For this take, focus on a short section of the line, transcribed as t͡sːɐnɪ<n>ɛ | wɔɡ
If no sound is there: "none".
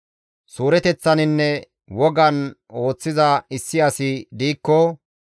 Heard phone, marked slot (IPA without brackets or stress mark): nː